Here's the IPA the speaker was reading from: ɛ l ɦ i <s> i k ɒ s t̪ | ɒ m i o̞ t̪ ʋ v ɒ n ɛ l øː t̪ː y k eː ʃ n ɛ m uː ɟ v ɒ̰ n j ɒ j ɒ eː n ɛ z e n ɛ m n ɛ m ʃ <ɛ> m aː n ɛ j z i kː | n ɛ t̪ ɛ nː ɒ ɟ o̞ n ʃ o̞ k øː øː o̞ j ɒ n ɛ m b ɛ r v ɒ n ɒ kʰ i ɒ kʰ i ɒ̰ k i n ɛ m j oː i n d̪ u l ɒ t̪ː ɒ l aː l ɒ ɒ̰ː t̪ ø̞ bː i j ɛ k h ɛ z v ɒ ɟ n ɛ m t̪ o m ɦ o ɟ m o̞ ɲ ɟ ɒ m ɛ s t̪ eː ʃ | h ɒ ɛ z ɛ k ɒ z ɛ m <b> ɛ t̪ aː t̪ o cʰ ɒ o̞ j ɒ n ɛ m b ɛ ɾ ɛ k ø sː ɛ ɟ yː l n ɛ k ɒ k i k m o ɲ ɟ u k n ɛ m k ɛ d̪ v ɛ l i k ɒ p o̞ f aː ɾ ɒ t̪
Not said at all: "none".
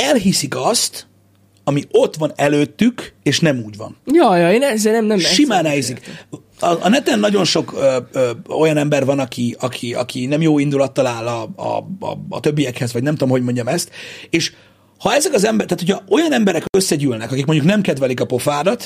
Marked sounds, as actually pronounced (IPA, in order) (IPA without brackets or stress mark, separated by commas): s, i, b